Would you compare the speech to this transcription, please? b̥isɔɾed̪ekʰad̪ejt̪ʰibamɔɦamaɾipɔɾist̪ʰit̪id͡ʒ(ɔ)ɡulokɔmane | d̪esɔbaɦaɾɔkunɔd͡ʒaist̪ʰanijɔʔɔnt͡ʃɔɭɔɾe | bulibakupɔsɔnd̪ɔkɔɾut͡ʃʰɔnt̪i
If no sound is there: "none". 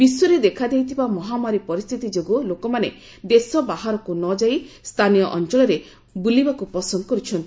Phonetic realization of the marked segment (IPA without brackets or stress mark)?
o